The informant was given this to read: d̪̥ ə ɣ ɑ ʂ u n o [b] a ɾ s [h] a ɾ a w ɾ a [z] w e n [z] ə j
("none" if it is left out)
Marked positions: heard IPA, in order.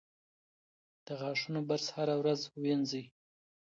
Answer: b, h, z, z

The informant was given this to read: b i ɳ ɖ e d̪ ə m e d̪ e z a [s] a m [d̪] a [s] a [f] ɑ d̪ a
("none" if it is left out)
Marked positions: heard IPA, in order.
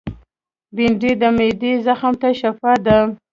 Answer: x, t̪, ʃ, f

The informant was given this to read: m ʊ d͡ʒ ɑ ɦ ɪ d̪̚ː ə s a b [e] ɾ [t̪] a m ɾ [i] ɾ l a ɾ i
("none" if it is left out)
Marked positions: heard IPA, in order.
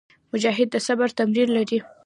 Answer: a, t̪, i

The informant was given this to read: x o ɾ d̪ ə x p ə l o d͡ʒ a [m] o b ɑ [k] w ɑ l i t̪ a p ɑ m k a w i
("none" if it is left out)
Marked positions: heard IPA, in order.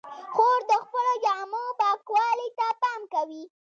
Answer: m, k

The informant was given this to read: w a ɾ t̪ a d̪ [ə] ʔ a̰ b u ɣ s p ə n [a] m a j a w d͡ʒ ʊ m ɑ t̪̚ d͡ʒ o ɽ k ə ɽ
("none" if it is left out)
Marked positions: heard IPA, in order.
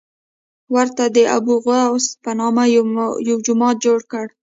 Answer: ə, ɑ

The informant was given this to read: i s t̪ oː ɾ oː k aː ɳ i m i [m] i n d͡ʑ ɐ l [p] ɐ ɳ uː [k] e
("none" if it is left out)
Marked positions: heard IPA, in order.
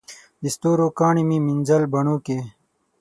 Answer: m, b, k

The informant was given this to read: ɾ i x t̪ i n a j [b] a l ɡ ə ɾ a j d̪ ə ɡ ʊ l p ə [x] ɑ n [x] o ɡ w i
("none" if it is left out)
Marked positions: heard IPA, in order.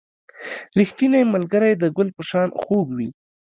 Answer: m, ʃ, x

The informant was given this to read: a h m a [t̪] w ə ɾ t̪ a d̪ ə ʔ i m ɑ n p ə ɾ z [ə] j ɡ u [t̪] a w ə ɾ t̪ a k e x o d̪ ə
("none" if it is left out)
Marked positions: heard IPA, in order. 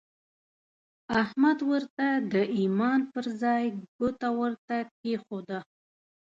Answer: d̪, ɑ, t̪

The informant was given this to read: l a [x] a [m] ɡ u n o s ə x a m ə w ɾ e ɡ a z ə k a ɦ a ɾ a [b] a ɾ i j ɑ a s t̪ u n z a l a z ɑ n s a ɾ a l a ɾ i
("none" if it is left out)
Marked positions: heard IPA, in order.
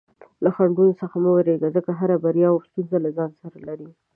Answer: x, ɳ, b

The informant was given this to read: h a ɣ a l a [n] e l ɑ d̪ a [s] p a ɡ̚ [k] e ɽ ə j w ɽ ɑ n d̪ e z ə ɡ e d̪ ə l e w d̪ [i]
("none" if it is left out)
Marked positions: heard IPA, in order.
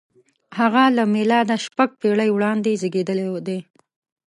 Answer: m, ʃ, p, e

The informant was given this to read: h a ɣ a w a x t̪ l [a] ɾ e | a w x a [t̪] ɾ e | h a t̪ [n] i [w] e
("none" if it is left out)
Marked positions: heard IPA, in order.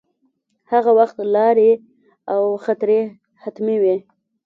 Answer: ɑ, t̪, m, w

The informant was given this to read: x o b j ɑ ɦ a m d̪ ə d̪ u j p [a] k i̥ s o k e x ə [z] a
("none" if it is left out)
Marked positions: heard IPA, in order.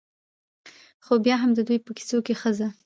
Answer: ə, z

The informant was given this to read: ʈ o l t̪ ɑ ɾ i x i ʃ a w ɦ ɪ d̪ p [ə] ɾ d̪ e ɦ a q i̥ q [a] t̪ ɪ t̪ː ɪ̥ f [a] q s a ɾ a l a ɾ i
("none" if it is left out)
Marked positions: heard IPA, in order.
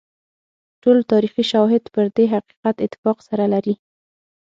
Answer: ə, a, ɑ

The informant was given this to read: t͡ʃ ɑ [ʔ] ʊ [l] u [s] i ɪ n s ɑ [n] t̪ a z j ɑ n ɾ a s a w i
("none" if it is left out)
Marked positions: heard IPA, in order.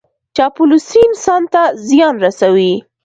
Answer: p, l, s, n

